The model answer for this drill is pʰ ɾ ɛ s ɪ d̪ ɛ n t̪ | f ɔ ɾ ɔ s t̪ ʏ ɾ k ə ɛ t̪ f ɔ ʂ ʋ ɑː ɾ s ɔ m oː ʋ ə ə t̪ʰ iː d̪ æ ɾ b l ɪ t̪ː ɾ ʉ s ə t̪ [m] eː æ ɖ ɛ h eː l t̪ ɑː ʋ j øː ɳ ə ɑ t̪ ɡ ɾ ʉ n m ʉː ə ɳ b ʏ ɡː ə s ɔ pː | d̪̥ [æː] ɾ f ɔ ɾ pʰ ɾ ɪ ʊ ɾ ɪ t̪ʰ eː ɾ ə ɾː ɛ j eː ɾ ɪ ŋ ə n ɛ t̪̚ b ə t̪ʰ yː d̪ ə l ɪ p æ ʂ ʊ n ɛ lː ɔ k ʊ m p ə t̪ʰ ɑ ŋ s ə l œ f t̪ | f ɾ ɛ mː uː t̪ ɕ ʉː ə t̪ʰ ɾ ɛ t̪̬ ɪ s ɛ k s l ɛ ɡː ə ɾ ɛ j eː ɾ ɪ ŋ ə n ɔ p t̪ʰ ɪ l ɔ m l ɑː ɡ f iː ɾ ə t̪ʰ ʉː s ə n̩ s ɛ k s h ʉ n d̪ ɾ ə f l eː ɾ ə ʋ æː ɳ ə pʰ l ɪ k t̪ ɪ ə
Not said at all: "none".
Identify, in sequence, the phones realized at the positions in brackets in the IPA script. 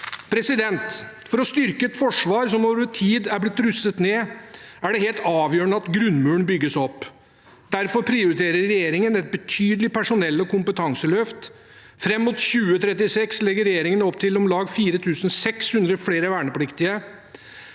n, æ

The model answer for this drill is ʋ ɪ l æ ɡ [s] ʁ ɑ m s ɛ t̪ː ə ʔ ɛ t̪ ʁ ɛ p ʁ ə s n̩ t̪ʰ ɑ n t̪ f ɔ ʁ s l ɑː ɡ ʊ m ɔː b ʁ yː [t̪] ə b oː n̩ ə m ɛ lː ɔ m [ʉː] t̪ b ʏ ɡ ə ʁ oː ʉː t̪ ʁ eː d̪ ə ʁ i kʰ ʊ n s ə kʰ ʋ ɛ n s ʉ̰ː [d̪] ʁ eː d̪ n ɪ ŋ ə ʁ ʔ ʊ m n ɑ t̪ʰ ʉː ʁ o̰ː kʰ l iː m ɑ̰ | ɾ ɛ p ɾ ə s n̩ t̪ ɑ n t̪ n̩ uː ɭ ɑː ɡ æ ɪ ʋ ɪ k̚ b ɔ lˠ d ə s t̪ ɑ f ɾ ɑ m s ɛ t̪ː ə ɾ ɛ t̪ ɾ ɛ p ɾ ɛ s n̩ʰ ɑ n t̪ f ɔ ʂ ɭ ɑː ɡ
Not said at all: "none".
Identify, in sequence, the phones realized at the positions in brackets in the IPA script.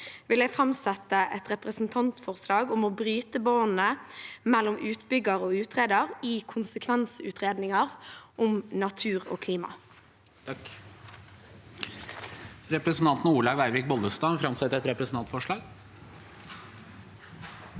f, t̪, ʉː, t̪

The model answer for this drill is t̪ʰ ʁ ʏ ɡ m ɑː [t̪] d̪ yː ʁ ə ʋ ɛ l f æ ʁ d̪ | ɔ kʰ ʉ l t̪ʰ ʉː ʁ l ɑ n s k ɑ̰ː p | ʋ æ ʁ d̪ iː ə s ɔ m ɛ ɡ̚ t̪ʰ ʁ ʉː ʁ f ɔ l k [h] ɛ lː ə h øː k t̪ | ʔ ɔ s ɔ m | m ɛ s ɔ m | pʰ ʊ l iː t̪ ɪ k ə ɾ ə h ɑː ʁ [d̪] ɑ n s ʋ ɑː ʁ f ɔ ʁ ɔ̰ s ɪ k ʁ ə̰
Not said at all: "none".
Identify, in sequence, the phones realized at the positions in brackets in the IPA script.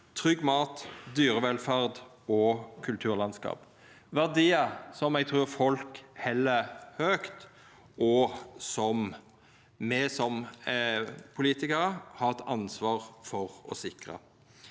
t̪, h, t̪

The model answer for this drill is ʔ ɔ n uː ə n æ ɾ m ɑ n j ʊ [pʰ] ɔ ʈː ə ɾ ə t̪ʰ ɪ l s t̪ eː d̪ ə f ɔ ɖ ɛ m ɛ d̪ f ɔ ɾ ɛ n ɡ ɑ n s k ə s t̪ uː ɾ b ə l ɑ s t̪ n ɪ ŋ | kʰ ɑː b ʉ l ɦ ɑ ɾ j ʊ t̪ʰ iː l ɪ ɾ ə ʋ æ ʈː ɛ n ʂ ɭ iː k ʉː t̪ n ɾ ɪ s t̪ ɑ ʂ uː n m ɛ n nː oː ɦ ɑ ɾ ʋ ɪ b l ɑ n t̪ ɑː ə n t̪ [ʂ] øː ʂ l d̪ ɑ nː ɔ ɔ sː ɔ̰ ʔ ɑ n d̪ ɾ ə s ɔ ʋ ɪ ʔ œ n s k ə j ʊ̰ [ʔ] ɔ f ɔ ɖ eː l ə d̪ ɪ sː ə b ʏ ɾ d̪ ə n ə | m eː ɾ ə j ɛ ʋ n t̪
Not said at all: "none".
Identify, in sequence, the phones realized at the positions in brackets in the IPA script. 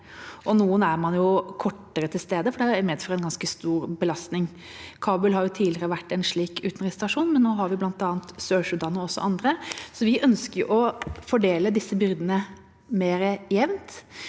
kʰ, s, ʔ

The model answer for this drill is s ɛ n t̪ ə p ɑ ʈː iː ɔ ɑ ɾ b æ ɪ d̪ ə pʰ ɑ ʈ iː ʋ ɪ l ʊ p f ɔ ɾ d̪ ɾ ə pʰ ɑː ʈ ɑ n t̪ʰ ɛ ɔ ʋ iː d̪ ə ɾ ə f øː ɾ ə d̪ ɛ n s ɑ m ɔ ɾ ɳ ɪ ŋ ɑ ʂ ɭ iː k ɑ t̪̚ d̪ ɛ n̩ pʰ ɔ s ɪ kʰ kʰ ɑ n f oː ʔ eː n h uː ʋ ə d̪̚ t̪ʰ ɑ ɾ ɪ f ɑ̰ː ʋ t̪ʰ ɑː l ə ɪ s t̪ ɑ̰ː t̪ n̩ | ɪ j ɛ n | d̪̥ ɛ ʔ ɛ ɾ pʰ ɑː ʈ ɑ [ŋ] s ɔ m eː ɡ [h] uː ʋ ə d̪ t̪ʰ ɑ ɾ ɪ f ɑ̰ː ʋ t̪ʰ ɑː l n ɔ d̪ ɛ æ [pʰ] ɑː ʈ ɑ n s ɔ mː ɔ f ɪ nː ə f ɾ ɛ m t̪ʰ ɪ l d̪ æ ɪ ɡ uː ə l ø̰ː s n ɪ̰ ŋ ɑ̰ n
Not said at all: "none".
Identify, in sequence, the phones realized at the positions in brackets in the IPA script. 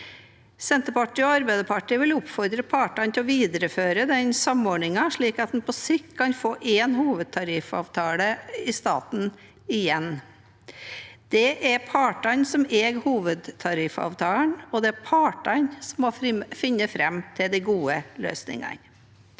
n, h, pʰ

